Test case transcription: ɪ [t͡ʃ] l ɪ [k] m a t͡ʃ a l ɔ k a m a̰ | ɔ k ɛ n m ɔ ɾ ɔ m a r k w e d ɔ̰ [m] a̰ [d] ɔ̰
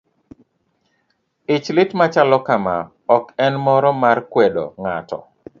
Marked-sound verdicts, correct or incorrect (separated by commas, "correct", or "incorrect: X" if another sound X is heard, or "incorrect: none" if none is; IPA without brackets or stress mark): correct, incorrect: t, incorrect: ŋ, incorrect: t